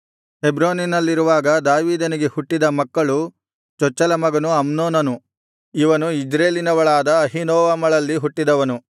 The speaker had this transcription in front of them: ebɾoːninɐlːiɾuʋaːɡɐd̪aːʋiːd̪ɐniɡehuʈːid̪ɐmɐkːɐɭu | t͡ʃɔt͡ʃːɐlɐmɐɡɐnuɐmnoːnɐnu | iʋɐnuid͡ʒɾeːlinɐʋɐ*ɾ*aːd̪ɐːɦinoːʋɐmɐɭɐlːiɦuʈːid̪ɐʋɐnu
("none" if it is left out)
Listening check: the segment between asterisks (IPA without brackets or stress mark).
ɭ